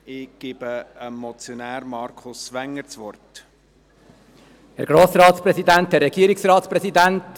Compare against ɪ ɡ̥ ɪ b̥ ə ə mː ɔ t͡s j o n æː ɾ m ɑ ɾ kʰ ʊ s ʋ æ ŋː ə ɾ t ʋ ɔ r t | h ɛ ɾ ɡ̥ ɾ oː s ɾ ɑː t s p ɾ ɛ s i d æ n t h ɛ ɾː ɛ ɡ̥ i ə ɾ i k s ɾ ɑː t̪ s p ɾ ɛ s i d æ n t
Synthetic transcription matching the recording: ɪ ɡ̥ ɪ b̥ ə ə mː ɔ t͡s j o n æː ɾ m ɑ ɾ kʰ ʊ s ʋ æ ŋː ə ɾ t͡s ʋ ɔ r t | h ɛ ɾ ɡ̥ ɾ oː s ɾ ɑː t s p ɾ ɛ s i d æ n t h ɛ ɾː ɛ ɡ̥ i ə ɾ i k s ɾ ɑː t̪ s p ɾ ɛ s i d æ n t